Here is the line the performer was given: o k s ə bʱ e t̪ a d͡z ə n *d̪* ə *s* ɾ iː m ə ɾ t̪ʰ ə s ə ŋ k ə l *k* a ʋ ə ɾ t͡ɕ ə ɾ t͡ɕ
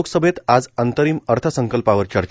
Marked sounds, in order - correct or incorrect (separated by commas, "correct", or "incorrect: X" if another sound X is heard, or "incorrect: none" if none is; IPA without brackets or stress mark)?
incorrect: t̪, incorrect: none, incorrect: p